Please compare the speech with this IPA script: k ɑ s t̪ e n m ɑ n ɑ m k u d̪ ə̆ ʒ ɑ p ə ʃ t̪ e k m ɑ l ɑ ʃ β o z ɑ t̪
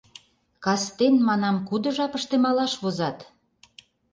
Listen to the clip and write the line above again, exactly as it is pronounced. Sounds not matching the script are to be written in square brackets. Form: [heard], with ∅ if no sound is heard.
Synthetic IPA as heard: k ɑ s t̪ e n m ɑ n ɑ m k u d̪ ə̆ ʒ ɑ p ə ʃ t̪ e [∅] m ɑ l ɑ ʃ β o z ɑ t̪